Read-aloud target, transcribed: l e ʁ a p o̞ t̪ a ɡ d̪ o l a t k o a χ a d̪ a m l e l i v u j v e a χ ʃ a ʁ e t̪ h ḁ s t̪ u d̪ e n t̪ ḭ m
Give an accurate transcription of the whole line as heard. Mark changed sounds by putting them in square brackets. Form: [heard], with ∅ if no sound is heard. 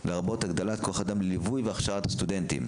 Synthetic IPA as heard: l e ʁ a [b] o̞ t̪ a ɡ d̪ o l a t k o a χ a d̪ a m l e l i v u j v e a χ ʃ a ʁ [a] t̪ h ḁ s t̪ u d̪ e n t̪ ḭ m

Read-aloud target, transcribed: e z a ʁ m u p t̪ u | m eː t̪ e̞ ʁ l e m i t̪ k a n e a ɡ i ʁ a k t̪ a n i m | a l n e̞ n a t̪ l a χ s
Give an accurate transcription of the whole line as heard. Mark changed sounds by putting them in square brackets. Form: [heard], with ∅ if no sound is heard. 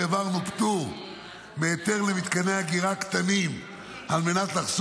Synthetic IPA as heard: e [v] a ʁ [n] u p t̪ u | m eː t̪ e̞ ʁ l e m i t̪ k a n e a ɡ i ʁ a k t̪ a n i m | a l [m] e̞ n a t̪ l a χ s

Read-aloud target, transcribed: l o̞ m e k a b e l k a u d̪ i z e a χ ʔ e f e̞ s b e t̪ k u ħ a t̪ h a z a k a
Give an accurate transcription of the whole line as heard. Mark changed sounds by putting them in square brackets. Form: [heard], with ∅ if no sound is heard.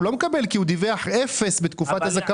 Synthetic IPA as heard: l o̞ m e k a b e l k [i] u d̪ i [v] e a [ħ] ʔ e f e̞ s b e t̪ k u [f] a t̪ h a z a k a

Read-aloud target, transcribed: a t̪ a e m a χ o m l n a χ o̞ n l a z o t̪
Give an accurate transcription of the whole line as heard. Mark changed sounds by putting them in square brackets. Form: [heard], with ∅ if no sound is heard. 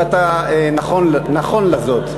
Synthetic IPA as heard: a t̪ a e [n] a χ o [n] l n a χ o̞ n l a z o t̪

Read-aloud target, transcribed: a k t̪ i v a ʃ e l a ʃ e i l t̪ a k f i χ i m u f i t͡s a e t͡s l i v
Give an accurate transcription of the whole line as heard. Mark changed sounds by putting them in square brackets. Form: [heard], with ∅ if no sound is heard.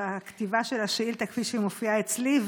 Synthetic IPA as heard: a k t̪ i v a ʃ e l a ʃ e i l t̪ a k f i [ʃ] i m [o] f i [∅] a e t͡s l i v

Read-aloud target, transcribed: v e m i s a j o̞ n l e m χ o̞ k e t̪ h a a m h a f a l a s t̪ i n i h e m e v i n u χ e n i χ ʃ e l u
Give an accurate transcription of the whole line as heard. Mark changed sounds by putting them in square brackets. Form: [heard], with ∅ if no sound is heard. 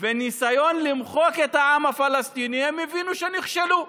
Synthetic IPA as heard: v e [n] i s a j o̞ n l [i] m χ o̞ k e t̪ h a a m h a f a l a s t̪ i n i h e m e v i n u [ʃ] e n i χ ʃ e l u

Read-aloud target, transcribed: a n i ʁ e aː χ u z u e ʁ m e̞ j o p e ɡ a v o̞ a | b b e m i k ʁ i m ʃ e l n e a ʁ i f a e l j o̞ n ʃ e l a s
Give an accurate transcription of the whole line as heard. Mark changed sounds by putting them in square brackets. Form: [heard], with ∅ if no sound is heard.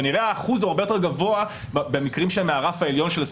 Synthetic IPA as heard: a n i ʁ e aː χ u z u [a] ʁ [b] e̞ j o [t] e ɡ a v o̞ a | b b e m i k ʁ i m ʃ e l [m] e a ʁ [a] f a e l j o̞ n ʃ e l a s

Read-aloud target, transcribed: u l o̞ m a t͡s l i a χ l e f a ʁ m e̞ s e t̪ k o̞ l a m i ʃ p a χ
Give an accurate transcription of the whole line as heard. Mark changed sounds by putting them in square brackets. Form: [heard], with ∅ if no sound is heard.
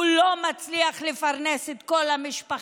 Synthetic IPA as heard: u l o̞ m a t͡s l i a χ l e f a ʁ [n] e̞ s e t̪ k o̞ l a m i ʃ p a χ

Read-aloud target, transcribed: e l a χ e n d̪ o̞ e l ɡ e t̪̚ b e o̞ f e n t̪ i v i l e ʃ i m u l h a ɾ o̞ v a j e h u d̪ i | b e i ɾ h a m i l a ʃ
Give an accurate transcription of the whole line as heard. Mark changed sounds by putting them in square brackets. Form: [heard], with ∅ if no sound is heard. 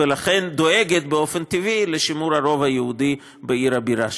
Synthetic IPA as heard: e l a χ e n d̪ o̞ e [∅] ɡ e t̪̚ b e o̞ f e n t̪ i v i l e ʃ i m u [ɾ] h a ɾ o̞ v a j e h u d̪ i | b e i ɾ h a [b] i [ɾ] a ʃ

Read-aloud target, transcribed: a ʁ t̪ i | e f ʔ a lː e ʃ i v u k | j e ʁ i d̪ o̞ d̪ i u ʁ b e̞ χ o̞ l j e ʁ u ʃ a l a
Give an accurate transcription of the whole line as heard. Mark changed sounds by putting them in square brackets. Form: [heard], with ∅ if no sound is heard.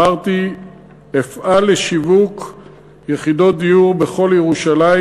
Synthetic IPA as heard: a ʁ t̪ i | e f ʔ a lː e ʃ i v u k | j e [χ] i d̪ o̞ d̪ i u ʁ b e̞ χ o̞ l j e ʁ u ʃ a l a

